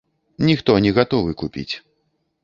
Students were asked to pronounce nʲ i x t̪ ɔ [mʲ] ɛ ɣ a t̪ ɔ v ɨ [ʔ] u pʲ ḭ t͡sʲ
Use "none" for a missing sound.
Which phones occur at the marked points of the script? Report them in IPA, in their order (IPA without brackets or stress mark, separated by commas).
nʲ, k